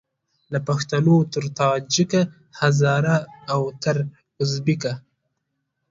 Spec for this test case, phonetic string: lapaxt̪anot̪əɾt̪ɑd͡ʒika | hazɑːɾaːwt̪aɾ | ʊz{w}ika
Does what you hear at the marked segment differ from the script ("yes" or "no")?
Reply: yes